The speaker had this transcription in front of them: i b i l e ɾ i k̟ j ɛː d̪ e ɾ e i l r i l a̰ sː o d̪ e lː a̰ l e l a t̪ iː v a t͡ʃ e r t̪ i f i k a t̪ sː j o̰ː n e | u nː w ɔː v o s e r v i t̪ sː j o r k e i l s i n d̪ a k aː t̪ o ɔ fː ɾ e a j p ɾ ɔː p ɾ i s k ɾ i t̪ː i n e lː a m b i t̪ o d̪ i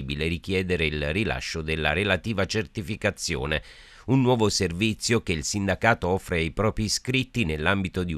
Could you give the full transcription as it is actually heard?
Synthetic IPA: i b i l e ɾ i k̟ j ɛː d̪ e ɾ e i l r i l a̰ ʃː o d̪ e lː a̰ ɾ e l a t̪ iː v a t͡ʃ e r t̪ i f i k a t̪ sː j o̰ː n e | u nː w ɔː v o s e r v i t̪ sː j o k e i l s i n d̪ a k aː t̪ o ɔ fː ɾ e a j p ɾ ɔː p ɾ i s k ɾ i t̪ː i n e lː a m b i t̪ o d̪ i